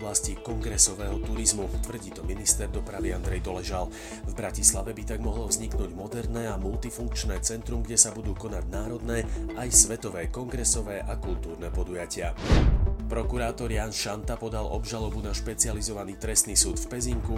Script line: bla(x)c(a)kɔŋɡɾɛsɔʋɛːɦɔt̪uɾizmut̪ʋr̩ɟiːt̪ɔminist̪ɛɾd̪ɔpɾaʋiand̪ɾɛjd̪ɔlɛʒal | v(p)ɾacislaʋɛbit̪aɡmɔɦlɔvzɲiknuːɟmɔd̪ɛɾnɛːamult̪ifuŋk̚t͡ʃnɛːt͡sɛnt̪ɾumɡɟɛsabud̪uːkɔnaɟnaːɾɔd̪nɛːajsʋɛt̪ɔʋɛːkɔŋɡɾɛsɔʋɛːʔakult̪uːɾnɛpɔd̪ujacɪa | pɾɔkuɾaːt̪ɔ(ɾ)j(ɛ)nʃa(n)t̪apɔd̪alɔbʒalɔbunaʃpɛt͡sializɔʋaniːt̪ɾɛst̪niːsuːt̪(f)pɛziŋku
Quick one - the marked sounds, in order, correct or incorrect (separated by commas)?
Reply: incorrect, incorrect, incorrect, correct, incorrect, correct, correct